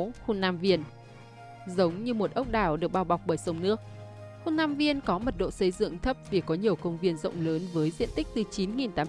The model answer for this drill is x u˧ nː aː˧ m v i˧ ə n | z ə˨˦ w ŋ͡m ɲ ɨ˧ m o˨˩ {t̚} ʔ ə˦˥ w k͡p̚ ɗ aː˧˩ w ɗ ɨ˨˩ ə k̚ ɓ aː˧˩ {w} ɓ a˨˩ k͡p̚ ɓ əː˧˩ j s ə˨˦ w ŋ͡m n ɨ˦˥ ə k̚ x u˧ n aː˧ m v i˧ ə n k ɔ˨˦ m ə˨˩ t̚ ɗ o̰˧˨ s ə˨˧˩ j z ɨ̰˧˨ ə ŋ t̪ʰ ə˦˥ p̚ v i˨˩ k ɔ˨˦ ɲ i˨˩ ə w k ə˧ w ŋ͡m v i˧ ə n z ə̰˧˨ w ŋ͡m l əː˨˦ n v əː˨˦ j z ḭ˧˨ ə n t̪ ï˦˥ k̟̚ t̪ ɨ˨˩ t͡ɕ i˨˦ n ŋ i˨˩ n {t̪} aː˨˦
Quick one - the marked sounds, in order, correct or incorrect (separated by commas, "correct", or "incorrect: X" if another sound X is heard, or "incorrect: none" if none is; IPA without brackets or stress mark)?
correct, correct, correct